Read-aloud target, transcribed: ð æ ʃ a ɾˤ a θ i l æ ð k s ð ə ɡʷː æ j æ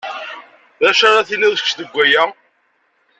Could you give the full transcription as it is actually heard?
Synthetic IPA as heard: ð æ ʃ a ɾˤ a θ i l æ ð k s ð ə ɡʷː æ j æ